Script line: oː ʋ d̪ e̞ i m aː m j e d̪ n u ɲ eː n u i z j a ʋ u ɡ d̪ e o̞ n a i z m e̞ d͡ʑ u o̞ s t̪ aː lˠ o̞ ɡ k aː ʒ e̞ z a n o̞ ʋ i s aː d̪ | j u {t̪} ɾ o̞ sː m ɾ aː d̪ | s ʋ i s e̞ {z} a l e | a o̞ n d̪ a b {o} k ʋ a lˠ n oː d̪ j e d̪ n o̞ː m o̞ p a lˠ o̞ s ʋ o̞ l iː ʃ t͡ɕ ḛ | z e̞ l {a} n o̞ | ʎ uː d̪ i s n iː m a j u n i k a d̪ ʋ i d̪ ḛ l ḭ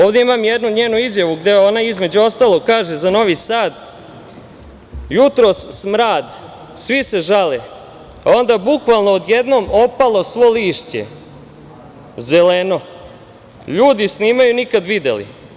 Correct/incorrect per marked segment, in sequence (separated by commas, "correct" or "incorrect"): correct, incorrect, incorrect, incorrect